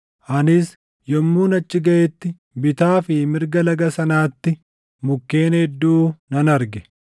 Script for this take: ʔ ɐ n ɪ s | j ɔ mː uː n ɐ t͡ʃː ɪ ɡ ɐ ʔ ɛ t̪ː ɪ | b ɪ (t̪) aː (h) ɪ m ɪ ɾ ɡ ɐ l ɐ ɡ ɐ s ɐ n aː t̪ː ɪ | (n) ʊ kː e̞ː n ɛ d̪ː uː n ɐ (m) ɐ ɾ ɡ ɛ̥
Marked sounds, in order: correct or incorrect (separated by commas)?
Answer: correct, incorrect, incorrect, incorrect